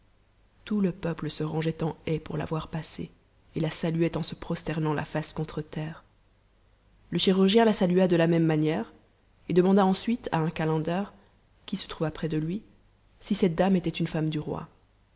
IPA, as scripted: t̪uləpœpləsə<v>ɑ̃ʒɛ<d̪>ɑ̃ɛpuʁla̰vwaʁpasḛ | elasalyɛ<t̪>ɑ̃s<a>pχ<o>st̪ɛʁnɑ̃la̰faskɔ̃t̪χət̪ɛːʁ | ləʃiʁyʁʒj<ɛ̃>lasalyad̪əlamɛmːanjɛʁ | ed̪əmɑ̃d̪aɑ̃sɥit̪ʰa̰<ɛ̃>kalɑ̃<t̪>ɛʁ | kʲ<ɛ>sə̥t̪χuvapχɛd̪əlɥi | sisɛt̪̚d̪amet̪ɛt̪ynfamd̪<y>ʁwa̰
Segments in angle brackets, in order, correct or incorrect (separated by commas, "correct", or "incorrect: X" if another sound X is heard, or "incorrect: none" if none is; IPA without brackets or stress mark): incorrect: ʁ, incorrect: t̪, correct, incorrect: ə, incorrect: ɔ, correct, correct, incorrect: d̪, incorrect: i, correct